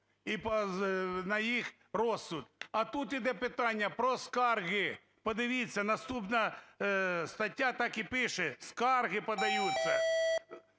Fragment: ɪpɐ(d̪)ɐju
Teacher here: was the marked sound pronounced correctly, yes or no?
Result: yes